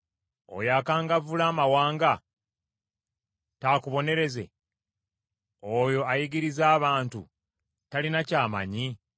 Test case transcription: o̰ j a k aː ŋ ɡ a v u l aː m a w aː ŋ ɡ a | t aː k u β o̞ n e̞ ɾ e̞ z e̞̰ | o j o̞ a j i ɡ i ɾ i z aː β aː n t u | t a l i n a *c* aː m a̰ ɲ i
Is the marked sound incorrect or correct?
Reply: correct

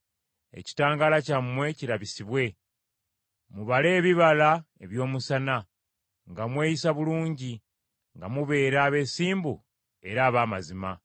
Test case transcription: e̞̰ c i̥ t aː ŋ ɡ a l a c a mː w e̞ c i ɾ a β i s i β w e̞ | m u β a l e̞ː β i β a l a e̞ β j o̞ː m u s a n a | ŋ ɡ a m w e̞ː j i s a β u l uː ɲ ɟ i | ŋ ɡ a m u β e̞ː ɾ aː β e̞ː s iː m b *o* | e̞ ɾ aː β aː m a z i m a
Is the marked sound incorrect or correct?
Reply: incorrect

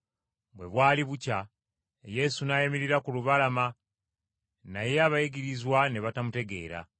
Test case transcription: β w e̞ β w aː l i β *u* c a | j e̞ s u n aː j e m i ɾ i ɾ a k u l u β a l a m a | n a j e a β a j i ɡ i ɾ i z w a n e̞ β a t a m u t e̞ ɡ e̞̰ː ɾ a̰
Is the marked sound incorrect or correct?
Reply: correct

